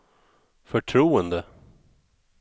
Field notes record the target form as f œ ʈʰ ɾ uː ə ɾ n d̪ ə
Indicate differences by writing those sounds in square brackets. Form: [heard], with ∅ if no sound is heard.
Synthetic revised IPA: f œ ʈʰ ɾ uː ə [∅] n d̪ ə